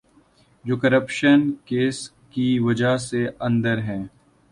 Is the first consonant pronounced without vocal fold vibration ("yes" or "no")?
no